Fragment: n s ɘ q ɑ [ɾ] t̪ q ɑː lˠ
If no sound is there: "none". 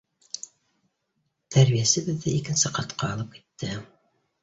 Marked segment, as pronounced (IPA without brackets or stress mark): none